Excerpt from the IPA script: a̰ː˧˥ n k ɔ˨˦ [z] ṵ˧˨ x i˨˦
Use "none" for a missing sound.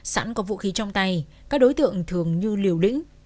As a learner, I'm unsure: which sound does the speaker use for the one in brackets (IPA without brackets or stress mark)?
v